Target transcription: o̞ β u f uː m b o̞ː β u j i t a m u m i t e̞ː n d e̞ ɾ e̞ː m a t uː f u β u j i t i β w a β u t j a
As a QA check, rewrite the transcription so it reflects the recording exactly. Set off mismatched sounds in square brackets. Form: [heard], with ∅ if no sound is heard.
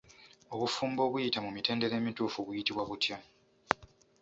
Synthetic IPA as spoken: o̞ β u f uː m b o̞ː β u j i t a m u m i t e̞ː n d e̞ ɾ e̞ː m [i] t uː f u β u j i t i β w a β u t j a